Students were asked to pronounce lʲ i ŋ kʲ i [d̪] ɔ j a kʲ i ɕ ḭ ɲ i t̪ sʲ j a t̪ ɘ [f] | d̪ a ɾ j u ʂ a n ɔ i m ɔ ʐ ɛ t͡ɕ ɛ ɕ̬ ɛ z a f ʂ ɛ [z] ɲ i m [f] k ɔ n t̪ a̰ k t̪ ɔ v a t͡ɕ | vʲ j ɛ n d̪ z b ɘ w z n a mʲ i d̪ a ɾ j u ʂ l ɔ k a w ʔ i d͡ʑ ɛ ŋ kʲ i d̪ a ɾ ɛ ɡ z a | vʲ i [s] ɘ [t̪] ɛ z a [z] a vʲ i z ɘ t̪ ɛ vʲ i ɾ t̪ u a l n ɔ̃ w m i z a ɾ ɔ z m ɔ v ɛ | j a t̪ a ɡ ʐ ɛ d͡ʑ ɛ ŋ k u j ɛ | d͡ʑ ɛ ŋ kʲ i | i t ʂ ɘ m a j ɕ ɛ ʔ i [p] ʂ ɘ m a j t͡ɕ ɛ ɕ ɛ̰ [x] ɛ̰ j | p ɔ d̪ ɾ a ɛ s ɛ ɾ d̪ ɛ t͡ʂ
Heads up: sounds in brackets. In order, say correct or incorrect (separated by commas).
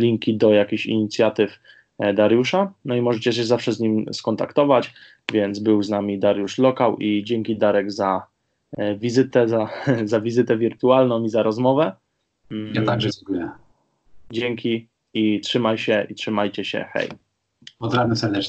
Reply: correct, correct, correct, incorrect, incorrect, correct, correct, incorrect, correct